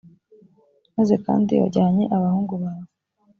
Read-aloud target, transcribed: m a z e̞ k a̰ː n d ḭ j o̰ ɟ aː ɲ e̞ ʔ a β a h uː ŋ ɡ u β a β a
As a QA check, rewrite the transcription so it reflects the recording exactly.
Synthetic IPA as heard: m a z e̞ k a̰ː n d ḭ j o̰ ɟ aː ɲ e̞ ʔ a β a h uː ŋ ɡ u β a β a

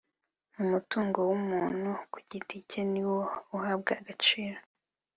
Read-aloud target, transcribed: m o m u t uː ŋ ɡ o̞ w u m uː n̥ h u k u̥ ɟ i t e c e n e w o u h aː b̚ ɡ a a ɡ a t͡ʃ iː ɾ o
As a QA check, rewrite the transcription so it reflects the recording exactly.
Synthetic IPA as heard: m u m u t uː ŋ ɡ o̞ w u m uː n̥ h u k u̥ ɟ i t i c e n i w o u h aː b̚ ɡ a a ɡ a t͡ʃ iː ɾ o

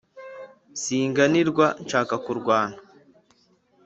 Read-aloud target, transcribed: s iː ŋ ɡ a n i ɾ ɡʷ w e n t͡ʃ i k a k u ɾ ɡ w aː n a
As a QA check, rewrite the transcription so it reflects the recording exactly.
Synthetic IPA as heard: s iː ŋ ɡ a n i ɾ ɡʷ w a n t͡ʃ a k a k u ɾ ɡ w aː n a

